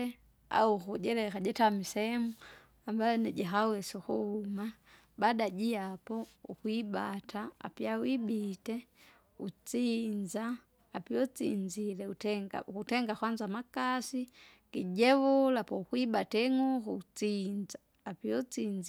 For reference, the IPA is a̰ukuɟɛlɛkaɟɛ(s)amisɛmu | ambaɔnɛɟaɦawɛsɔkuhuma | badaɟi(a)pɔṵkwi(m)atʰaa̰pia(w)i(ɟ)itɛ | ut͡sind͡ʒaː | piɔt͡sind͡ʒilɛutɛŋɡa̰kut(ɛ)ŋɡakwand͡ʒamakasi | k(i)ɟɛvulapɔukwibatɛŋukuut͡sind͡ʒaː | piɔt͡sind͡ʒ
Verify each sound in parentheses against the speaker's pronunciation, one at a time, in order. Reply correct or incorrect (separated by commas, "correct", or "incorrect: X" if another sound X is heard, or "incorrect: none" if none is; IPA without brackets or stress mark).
incorrect: t, correct, incorrect: b, correct, incorrect: b, correct, correct